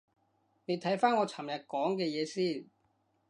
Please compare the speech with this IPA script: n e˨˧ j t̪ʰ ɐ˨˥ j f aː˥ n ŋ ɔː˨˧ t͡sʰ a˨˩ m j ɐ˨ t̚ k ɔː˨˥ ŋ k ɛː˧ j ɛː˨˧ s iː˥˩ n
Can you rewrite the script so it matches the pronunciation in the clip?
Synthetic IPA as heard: n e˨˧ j t̪ʰ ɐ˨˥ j f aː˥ n ŋ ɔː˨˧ t͡sʰ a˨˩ m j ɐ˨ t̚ k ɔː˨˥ ŋ k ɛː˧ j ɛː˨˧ s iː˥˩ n